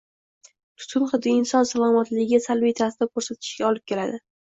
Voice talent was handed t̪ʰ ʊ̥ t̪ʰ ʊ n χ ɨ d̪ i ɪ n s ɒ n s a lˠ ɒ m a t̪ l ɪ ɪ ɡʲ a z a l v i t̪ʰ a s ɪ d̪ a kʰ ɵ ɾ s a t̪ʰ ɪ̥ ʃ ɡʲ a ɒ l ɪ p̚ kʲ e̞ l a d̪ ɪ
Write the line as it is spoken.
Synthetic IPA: t̪ʰ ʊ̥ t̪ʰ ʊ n χ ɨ d̪ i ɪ n s ɒ n s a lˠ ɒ m a t̪ l ɪ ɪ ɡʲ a s a l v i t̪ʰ a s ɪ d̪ a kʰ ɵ ɾ s a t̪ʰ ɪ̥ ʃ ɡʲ a ɒ l ɪ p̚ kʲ e̞ l a d̪ ɪ